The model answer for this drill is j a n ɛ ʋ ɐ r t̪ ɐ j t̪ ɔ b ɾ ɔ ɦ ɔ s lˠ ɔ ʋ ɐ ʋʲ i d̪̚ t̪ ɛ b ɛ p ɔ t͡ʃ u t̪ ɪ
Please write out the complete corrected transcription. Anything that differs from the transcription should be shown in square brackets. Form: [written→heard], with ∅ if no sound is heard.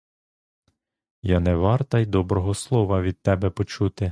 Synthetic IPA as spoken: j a n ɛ ʋ [ɐ→ɑ] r t̪ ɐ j [t̪→d̪] ɔ b ɾ ɔ ɦ ɔ s lˠ ɔ ʋ ɐ ʋʲ i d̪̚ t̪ ɛ b ɛ p ɔ t͡ʃ u t̪ ɪ